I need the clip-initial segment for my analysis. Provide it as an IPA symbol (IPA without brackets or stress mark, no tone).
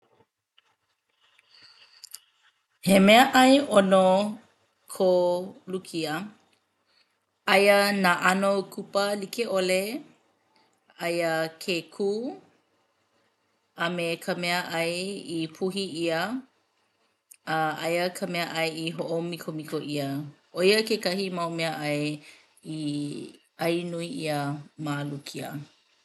h